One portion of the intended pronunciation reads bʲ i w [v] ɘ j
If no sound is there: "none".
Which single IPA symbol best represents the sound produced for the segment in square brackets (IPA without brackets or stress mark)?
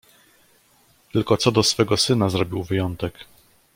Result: v